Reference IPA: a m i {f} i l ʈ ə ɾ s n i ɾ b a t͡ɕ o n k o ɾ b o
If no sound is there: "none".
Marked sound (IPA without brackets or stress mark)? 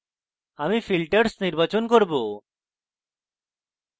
f